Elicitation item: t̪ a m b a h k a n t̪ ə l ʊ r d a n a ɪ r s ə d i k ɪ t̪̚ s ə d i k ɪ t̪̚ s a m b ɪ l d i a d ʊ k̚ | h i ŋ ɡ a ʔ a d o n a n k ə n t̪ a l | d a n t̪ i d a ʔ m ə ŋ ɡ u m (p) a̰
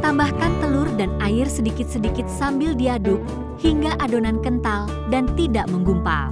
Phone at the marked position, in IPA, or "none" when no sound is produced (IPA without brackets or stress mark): p